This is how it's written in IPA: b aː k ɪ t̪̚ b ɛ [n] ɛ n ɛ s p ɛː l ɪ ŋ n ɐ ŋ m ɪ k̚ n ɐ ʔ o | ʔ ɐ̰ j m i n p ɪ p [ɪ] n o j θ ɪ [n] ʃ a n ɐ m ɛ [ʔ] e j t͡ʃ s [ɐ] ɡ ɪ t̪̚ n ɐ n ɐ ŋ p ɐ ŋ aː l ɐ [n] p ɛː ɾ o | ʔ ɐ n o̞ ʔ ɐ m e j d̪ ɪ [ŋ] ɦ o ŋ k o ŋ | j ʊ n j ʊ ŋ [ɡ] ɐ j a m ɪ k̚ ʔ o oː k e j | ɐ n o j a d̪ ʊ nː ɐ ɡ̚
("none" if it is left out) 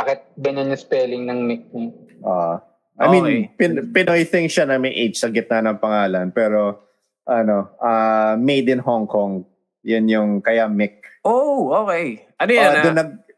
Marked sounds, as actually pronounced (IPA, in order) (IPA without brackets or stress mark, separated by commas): n, ɪ, ŋ, ʔ, ɐ, n, n, k